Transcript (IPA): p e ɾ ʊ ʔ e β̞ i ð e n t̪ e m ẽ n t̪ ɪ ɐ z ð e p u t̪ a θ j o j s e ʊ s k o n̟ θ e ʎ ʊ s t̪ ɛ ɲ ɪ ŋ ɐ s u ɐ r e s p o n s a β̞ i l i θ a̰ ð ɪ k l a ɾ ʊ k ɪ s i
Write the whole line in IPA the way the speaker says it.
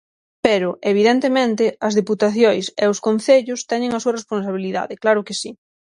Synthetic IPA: p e ɾ ʊ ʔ e β̞ i ð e n t̪ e m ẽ n t̪ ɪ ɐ z ð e p u t̪ a θ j o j s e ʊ s k o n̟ θ e ʎ ʊ s t̪ ɛ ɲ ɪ ŋ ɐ s u ɐ r e s p o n s a β̞ i l i ð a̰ ð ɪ k l a ɾ ʊ k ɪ s i